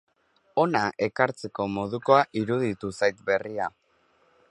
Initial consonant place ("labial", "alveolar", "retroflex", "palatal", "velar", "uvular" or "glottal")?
alveolar